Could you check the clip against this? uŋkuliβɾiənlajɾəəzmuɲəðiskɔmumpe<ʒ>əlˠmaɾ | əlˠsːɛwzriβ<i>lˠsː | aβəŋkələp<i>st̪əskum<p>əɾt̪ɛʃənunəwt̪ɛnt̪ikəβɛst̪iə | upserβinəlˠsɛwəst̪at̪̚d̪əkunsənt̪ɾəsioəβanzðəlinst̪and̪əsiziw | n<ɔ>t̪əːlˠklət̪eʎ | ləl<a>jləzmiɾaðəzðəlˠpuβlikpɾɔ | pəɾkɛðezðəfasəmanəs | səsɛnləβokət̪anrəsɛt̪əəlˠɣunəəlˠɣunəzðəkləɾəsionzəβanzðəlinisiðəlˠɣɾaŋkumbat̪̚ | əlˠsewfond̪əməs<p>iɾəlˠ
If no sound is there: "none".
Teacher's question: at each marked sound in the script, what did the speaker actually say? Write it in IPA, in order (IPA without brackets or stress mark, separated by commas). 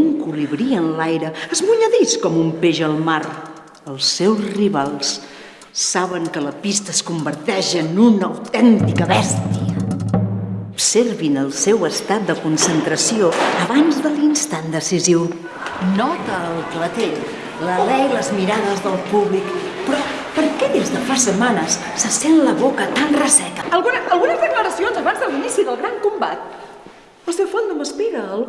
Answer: ʒ, a, i, b, ɔ, ɛ, p